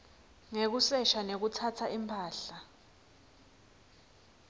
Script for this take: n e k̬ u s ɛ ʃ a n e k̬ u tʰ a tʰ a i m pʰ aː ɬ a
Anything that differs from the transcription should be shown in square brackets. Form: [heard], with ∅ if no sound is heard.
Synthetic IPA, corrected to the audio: [ŋ] e k̬ u s ɛ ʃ a n e k̬ u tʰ a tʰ a i m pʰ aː ɬ a